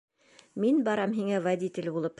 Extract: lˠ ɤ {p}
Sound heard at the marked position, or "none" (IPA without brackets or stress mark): p